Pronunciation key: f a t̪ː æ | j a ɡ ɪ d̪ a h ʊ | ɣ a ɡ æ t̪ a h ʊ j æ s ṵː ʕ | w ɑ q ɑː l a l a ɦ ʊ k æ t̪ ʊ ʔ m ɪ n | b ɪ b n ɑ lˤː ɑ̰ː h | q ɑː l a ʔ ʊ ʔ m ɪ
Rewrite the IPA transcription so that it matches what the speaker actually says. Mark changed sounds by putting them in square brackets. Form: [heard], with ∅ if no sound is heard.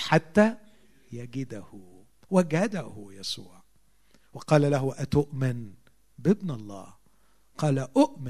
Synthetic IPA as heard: [ħ] a t̪ː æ | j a ɡ ɪ d̪ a h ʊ | [w] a ɡ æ [d̪] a h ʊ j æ s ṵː ʕ | w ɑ q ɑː l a l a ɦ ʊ [ʔ] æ t̪ ʊ ʔ m ɪ n | b ɪ b n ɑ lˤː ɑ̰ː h | q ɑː l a ʔ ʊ ʔ m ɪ